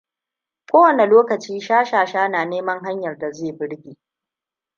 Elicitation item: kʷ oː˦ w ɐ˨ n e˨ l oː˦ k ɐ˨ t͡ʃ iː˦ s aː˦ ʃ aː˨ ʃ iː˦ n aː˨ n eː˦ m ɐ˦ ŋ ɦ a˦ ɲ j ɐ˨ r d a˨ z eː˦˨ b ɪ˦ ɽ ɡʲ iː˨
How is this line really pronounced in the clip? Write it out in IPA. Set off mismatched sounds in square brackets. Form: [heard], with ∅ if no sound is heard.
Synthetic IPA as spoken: kʷ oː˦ w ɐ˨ n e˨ l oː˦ k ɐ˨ t͡ʃ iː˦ [ʃ] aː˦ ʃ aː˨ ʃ [aː˦] n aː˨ n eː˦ m ɐ˦ ŋ ɦ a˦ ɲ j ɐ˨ r d a˨ z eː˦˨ b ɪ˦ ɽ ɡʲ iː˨

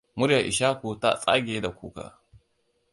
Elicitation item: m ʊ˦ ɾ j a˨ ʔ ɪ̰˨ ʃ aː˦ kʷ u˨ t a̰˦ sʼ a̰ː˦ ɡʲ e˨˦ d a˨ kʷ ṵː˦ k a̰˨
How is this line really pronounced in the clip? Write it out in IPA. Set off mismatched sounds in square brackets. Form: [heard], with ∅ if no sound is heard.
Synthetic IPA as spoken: m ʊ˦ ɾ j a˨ ʔ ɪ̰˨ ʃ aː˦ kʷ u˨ t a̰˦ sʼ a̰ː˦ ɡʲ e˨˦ d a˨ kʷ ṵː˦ k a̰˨

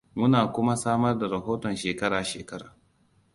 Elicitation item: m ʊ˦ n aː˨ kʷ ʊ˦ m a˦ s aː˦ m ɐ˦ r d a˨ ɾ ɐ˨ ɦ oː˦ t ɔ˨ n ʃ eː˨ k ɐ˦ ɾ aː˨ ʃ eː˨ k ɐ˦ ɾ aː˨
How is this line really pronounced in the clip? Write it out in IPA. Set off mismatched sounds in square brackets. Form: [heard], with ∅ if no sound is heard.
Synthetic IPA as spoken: m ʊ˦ n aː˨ kʷ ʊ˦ m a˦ s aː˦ m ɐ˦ r d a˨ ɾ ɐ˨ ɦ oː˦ t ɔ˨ n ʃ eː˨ k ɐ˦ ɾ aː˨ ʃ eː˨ k ɐ˦ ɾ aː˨

